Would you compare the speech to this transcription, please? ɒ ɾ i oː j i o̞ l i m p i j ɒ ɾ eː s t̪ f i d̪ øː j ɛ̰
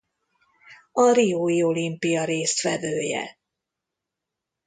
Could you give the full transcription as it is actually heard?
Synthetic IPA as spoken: ɒ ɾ i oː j i o̞ l i m p i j ɒ ɾ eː s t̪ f ɛ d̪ øː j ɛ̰